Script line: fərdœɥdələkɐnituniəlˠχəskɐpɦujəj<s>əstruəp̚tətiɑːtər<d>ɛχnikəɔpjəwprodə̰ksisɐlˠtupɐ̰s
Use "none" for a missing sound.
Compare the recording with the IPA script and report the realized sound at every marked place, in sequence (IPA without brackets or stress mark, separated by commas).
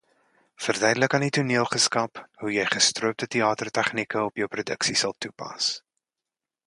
χ, t